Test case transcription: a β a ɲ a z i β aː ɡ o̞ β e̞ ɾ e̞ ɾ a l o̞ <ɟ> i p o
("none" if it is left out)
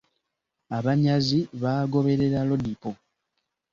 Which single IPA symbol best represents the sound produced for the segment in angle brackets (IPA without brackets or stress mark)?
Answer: d